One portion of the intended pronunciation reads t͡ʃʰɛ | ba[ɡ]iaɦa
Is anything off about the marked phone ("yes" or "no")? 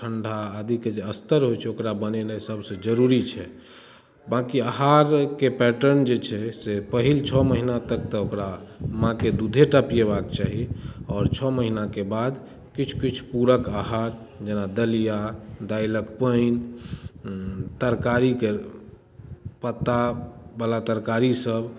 yes